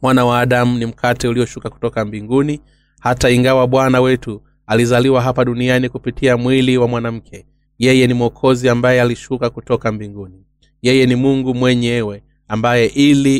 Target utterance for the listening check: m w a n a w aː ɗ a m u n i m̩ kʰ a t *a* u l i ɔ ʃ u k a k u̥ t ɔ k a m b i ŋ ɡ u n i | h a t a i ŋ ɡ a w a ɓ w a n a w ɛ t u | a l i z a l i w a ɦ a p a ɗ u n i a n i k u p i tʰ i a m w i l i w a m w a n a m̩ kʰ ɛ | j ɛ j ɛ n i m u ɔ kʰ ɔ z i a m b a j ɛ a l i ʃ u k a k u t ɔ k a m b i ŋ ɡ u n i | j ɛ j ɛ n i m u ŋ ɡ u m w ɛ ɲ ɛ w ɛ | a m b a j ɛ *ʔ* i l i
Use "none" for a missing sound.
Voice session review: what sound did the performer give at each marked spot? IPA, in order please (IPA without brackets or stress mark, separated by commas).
ɛ, ʔ